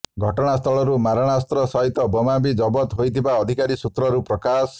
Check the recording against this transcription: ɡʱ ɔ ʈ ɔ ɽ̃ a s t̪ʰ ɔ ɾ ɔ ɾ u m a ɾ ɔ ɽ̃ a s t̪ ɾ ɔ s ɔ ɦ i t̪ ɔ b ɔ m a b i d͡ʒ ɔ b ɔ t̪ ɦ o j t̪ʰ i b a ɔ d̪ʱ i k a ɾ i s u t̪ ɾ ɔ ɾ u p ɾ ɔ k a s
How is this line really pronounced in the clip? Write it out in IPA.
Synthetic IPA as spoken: ɡʱ ɔ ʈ ɔ ɽ̃ a s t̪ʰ ɔ ɭ ɔ ɾ u m a ɾ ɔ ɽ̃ a s t̪ ɾ ɔ s ɔ ɦ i t̪ ɔ b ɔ m a b i d͡ʒ ɔ b ɔ t̪ ɦ o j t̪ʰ i b a ɔ d̪ʱ i k a ɾ i s u t̪ ɾ ɔ ɾ u p ɾ ɔ k a s